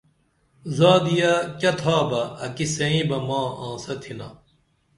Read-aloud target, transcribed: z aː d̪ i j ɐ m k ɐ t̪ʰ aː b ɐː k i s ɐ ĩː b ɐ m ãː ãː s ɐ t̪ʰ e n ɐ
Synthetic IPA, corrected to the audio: z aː d̪ i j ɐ k ɐ t̪ʰ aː b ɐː k i s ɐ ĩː b ɐ m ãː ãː s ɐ t̪ʰ i n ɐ

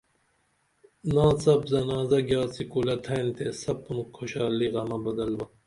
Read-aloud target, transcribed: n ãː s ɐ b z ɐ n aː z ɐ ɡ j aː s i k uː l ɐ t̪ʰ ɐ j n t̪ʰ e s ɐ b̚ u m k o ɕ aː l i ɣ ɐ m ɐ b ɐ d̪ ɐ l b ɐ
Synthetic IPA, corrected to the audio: n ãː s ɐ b z ɐ n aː z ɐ ɡ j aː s i k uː l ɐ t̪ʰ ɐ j n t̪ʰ e s ɐ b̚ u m kʰ o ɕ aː l i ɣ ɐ m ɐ b ɐ d̪ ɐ l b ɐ

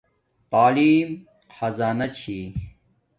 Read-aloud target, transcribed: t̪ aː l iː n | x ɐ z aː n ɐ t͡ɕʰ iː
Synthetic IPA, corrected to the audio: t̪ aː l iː m | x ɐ z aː n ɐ t͡ɕʰ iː

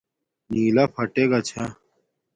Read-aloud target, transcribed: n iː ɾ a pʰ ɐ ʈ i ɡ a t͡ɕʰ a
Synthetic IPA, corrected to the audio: n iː l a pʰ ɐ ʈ e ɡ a t͡ɕʰ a

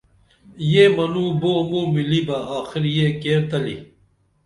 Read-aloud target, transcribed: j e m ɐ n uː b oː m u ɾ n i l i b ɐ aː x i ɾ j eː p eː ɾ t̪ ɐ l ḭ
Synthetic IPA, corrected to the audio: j e m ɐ n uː b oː m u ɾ m i l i b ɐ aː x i ɾ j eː k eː ɾ t̪ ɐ l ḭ

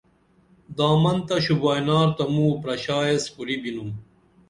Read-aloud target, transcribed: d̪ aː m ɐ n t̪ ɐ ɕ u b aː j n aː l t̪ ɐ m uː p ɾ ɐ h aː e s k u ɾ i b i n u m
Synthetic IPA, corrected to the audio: d̪ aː m ɐ n t̪ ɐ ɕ u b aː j n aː ɾ t̪ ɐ m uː p ɾ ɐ ɕ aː e s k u ɾ i b i n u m

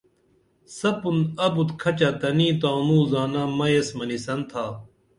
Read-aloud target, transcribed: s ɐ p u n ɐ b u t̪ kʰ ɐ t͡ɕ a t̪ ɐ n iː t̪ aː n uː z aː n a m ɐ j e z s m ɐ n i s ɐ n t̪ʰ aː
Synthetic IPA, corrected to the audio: s ɐ p u n ɐ b u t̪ kʰ ɐ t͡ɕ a t̪ ɐ n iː t̪ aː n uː z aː n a m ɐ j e s m ɐ n i s ɐ n t̪ʰ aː

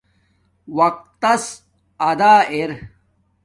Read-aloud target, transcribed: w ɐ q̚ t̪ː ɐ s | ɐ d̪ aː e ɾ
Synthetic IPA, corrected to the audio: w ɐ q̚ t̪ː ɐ s | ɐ d̪ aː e ɾ

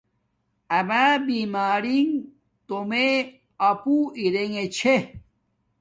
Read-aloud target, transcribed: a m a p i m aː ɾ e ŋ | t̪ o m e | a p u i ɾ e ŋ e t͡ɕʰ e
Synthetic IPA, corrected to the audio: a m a b i m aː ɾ i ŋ | t̪ o m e | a p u i ɾ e ŋ e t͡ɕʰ e

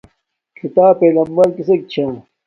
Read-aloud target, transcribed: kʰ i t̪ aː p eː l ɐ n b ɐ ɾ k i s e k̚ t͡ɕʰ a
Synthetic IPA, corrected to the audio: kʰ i t̪ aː p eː l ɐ m b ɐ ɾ k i s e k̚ t͡ɕʰ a

